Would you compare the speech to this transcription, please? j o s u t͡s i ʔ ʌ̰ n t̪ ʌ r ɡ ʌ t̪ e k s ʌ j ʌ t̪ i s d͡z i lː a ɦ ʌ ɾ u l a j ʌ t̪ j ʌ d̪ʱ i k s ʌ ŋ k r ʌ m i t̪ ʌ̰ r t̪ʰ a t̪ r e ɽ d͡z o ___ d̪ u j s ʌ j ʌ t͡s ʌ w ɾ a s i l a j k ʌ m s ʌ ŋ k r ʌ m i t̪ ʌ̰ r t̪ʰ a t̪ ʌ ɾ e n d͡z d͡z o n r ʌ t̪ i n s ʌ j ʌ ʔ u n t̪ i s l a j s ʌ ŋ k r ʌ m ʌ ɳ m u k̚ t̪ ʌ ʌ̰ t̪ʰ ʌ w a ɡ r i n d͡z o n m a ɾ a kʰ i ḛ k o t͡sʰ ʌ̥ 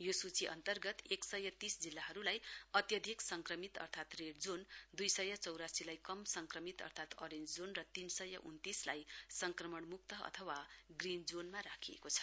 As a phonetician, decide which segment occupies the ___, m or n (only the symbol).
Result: n